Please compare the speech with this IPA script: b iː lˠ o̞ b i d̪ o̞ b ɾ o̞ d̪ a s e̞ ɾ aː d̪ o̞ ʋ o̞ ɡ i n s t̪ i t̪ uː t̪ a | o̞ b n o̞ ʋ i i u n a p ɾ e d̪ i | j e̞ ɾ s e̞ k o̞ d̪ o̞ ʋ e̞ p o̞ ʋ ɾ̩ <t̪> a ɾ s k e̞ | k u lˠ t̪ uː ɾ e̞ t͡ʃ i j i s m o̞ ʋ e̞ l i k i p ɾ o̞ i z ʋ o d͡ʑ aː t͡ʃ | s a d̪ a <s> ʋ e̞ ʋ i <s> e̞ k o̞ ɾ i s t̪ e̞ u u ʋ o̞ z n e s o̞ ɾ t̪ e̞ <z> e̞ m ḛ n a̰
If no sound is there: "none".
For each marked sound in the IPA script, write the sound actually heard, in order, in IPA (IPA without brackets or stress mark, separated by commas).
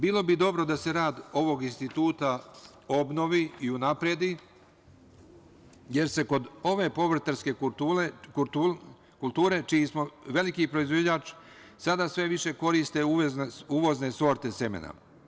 t̪, s, ʃ, s